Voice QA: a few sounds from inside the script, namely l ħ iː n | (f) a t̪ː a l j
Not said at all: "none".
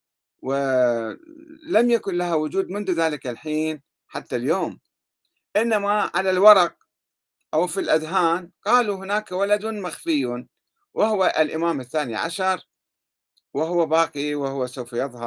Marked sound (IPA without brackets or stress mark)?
ħ